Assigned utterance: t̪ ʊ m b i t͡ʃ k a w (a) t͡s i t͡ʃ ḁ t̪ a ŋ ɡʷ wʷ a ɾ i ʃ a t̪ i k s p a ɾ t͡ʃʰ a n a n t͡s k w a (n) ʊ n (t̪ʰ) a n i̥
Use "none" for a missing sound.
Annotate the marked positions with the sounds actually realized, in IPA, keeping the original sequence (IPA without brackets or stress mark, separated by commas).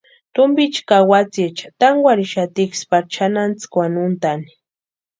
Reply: a, n, t̪